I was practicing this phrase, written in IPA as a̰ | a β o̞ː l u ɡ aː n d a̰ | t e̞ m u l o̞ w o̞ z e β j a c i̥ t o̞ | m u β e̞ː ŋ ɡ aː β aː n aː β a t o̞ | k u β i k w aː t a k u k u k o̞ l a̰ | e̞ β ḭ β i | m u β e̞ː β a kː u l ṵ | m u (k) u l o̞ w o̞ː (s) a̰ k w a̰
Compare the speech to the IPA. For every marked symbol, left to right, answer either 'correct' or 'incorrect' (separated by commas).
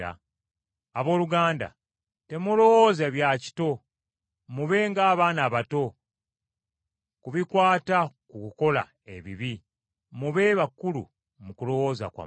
correct, incorrect